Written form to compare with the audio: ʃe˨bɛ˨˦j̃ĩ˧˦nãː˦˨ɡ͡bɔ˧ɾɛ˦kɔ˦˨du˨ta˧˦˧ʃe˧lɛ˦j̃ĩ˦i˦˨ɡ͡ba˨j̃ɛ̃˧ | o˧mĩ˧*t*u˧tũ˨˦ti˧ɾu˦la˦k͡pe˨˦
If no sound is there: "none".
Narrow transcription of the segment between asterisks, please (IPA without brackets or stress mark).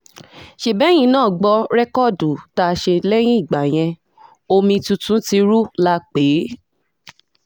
t